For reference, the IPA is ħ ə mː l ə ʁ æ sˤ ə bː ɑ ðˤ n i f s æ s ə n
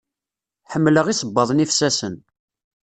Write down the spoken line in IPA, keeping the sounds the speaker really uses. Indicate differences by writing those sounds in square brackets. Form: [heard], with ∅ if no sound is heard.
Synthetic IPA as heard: ħ ə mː l ə ʁ [i] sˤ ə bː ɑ ðˤ n i f s æ s ə n